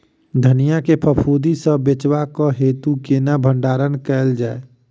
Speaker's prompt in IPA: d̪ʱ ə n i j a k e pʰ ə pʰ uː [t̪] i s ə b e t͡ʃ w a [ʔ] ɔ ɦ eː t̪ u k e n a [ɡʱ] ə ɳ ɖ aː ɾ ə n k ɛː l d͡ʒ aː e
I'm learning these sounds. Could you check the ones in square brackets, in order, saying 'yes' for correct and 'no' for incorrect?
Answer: no, no, no

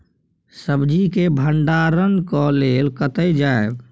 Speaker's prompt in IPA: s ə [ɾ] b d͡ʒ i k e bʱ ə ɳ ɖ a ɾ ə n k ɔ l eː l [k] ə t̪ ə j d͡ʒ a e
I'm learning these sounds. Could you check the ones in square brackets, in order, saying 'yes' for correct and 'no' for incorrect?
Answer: no, yes

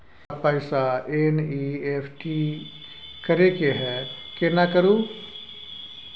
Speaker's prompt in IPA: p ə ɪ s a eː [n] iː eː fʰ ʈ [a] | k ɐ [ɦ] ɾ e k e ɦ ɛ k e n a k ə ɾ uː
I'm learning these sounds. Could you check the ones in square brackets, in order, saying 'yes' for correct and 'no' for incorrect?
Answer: yes, no, no

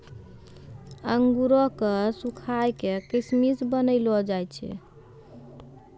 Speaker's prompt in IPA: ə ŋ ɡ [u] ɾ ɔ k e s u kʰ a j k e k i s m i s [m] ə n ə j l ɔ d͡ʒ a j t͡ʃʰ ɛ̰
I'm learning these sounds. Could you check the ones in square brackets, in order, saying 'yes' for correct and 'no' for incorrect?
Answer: yes, no

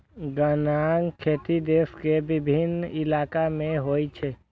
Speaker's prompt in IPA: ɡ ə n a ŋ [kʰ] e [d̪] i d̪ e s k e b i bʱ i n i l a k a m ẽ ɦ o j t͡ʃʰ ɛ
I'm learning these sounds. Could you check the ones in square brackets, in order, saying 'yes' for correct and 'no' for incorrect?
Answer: yes, no

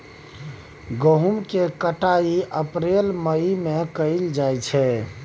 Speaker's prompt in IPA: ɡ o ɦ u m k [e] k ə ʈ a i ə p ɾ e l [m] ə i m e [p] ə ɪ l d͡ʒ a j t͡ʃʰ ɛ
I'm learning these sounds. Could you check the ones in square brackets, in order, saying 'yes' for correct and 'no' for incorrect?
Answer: yes, yes, no

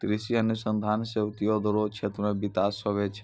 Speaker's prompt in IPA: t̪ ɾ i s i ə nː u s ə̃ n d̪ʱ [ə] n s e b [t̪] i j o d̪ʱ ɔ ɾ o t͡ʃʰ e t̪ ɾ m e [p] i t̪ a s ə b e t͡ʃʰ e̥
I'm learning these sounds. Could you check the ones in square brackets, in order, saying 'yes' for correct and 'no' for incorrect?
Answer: no, yes, no

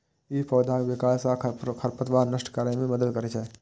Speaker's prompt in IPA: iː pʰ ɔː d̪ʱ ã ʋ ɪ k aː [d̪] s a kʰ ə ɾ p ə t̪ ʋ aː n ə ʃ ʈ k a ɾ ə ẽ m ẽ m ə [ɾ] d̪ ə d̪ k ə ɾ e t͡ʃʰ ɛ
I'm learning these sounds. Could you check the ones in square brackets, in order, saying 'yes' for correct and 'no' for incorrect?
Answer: no, no

